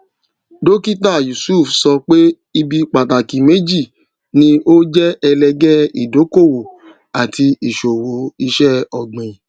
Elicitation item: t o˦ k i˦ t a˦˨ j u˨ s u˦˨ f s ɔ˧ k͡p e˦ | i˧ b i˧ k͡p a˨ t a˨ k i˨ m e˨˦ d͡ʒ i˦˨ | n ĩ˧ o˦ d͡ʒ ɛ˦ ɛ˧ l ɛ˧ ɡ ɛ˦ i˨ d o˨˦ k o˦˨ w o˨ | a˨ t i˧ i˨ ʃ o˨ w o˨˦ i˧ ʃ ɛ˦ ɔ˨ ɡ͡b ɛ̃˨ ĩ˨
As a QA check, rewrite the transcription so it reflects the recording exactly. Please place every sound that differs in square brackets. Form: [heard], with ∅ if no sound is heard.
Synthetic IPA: [d] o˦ k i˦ t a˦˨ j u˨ s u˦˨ f s ɔ˧ k͡p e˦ | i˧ b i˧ k͡p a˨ t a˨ k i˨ m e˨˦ d͡ʒ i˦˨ | n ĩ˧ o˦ d͡ʒ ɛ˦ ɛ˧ l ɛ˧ ɡ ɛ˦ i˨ d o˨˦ k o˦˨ w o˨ | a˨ t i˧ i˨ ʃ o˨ w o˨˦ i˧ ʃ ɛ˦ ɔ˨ ɡ͡b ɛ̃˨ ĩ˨